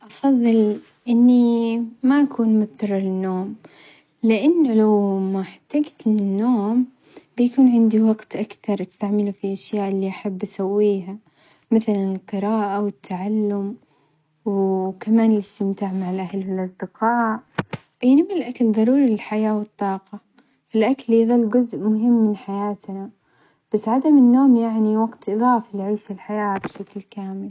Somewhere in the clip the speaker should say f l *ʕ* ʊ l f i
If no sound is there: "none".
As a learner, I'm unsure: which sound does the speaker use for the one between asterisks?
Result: ʕ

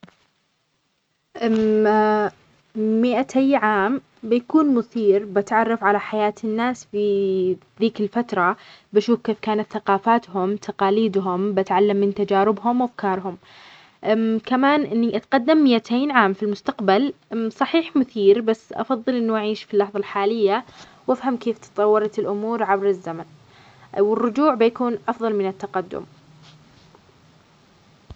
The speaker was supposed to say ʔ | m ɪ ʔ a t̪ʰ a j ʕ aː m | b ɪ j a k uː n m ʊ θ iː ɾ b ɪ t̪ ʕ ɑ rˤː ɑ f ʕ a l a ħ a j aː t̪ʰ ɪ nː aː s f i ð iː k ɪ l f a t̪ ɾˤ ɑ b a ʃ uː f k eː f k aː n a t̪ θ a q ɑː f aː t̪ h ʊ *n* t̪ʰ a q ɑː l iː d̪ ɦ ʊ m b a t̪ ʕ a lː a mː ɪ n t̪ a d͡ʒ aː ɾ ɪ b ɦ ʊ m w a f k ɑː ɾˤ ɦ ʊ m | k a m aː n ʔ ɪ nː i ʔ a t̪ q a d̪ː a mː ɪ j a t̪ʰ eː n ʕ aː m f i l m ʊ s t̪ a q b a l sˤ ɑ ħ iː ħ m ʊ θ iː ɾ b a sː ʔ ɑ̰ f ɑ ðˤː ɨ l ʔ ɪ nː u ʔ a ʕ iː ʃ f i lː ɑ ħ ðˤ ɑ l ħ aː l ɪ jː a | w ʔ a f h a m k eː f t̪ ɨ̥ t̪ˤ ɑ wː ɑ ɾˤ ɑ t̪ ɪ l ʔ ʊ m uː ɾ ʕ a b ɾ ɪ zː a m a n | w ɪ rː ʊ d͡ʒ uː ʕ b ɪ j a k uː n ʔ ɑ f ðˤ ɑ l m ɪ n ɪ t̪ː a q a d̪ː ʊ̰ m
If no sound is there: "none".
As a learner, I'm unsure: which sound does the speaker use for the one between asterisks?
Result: m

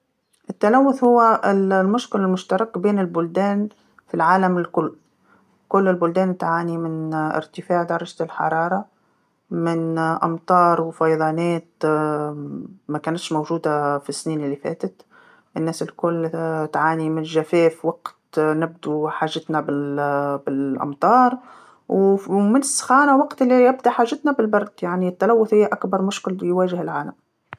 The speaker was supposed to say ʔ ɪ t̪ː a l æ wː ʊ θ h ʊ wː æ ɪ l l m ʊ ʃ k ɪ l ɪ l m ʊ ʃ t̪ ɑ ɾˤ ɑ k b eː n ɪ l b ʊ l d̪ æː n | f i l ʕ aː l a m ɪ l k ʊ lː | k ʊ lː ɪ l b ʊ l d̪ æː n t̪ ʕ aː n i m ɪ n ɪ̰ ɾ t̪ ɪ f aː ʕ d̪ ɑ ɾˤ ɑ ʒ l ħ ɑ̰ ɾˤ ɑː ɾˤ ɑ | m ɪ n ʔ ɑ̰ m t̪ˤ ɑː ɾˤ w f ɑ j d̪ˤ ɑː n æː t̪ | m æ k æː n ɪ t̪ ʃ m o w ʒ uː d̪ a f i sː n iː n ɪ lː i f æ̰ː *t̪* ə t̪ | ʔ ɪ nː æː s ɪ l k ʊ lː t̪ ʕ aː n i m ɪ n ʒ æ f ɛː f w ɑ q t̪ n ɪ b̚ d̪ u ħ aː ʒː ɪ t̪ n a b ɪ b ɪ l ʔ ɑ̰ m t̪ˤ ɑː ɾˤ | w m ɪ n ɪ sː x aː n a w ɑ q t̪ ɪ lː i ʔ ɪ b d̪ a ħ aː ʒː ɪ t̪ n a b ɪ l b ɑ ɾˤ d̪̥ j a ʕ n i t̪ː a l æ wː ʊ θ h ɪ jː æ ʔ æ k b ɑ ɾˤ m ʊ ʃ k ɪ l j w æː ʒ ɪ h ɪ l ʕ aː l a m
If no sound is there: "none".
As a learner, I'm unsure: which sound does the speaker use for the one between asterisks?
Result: t̪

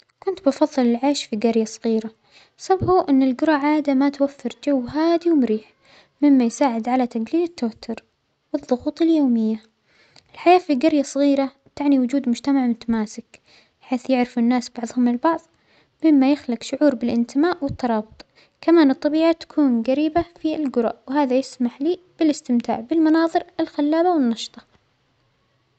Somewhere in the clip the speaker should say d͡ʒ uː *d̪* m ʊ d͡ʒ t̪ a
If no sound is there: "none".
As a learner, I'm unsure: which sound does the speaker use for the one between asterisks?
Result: d̪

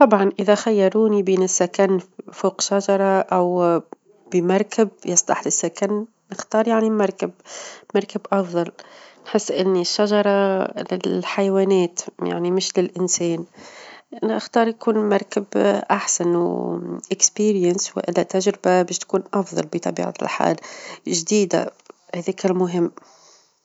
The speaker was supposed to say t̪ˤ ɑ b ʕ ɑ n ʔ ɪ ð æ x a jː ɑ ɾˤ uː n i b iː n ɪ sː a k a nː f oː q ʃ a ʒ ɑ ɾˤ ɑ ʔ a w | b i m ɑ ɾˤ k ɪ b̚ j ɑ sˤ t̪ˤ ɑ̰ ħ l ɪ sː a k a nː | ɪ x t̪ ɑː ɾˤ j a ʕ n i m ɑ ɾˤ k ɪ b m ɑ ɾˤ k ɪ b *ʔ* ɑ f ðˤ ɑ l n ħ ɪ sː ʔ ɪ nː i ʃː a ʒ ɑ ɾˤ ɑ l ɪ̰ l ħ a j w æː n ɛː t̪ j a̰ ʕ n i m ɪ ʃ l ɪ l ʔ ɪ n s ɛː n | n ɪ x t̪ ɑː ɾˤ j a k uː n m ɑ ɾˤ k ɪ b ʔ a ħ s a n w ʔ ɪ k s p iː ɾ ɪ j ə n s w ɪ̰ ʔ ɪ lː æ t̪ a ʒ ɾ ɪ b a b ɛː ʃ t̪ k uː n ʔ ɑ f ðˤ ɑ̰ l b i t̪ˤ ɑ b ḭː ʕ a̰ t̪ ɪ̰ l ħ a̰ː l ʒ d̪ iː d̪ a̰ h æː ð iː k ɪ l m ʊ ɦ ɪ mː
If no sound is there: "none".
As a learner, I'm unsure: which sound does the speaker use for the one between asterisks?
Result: ʔ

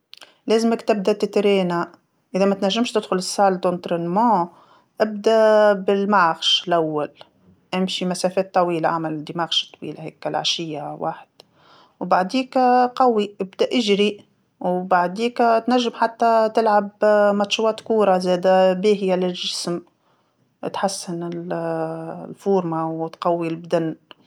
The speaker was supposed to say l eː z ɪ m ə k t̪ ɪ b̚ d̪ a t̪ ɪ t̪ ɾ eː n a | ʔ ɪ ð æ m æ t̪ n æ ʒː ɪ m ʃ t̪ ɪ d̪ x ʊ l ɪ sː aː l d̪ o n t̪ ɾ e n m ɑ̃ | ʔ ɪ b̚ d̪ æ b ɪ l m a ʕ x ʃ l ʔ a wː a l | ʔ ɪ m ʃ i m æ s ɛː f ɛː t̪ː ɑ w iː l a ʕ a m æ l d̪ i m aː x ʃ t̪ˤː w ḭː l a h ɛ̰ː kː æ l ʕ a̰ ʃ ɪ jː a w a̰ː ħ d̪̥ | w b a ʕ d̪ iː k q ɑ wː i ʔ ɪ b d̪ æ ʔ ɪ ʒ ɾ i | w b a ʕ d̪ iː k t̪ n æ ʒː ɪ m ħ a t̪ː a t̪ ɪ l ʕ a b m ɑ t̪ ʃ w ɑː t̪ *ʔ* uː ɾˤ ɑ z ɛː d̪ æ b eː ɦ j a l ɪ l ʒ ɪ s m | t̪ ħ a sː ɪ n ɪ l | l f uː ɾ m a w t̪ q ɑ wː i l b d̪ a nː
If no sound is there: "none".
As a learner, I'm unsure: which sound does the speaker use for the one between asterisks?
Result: k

